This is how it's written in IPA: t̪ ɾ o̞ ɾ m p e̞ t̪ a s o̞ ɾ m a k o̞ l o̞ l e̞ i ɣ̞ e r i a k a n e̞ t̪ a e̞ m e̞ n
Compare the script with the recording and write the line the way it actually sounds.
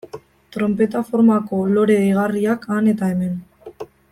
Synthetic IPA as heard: t̪ ɾ o̞ m p e̞ t̪ a f o̞ ɾ m a k o̞ l o̞ ɾ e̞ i ɣ̞ a r i a k a n e̞ t̪ a e̞ m e̞ n